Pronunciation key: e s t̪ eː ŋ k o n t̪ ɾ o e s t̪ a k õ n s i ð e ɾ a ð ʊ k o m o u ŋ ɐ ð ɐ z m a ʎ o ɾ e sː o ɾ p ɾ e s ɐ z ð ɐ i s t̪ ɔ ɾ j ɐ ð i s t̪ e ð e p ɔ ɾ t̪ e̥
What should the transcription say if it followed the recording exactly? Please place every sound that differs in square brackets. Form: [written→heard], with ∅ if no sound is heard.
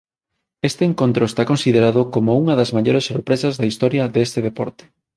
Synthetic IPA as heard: e s t̪ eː ŋ k o n t̪ ɾ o e s t̪ a k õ n s i ð e ɾ a ð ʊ k o m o u ŋ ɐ ð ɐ z m a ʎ o ɾ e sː o ɾ p ɾ e s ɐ z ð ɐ i s t̪ ɔ ɾ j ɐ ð [i→e] s t̪ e ð e p ɔ ɾ t̪ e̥